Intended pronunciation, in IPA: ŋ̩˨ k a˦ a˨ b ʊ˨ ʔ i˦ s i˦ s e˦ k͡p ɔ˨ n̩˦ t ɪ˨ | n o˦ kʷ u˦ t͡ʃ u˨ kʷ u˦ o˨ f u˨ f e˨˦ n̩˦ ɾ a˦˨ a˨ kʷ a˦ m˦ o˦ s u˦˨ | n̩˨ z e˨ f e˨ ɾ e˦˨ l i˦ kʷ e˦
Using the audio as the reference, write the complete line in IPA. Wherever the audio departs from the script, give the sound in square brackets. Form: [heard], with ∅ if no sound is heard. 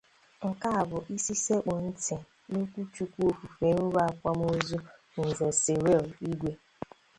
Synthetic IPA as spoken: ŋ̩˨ k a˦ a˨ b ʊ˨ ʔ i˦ s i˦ s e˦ k͡p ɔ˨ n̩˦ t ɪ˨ | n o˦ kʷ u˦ t͡ʃ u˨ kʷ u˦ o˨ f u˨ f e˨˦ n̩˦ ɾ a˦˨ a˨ kʷ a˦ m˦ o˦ [z] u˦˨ | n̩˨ z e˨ [s] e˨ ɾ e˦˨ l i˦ [ɡʷ] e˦